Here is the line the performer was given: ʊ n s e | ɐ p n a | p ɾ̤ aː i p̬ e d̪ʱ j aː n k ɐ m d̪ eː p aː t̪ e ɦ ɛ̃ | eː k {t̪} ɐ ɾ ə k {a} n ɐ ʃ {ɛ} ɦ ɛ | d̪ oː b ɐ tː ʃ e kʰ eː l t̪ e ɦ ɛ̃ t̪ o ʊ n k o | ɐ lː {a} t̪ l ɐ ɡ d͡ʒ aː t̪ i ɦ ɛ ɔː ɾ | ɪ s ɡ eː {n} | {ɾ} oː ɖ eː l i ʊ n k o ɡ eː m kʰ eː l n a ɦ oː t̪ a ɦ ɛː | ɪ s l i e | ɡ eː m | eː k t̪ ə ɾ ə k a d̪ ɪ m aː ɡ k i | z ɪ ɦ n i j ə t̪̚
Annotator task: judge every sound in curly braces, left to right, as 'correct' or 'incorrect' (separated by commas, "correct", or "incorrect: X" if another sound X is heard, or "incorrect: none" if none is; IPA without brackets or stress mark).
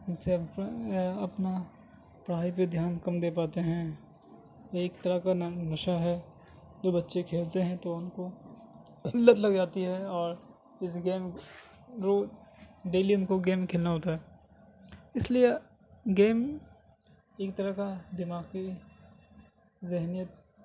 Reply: correct, correct, incorrect: a, incorrect: ə, incorrect: m, correct